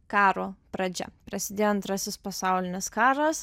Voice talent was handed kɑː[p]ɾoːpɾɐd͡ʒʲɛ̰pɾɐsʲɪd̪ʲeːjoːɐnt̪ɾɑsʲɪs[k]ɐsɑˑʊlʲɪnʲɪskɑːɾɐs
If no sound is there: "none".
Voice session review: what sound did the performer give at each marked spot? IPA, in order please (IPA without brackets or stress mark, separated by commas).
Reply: none, p